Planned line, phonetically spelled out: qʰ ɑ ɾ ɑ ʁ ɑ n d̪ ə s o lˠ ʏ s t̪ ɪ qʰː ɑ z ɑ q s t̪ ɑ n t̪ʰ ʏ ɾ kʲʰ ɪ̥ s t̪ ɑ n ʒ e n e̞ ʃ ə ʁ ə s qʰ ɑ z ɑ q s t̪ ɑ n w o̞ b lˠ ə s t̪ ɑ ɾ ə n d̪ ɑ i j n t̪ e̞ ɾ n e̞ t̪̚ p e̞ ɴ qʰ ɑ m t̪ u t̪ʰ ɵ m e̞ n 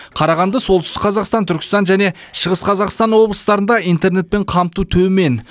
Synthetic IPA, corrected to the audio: qʰ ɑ ɾ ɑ ʁ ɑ n d̪ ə s o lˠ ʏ s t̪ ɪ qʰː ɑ z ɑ q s t̪ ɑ n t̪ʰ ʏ ɾ kʲ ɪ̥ s t̪ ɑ n ʒ æ n e̞ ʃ ə ʁ ə s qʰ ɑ z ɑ q s t̪ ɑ n w o̞ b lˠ ə s t̪ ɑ ɾ ə n d̪ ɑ i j n t̪ e̞ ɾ n e̞ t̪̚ p e̞ ɴ qʰ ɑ m t̪ u t̪ʰ ɵ m e̞ n